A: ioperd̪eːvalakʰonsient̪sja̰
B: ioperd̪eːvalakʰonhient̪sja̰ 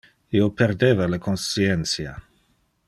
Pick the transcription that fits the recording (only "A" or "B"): A